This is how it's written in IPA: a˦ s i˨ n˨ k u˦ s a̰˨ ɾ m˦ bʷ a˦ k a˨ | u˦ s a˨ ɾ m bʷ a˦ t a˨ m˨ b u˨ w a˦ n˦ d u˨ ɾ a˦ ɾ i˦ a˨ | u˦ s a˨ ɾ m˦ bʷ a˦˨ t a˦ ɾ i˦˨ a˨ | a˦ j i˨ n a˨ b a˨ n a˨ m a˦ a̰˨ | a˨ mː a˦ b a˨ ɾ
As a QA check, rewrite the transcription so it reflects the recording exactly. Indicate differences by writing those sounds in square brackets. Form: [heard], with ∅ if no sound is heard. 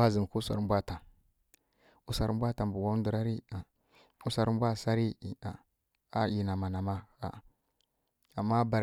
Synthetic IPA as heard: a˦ [z] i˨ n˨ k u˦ s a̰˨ ɾ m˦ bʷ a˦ [t] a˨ | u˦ s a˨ ɾ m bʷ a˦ t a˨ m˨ b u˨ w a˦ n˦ d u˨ ɾ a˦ ɾ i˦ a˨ | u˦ s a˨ ɾ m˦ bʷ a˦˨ [s] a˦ ɾ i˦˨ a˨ | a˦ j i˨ n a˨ [m] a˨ n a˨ m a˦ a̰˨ | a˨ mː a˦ b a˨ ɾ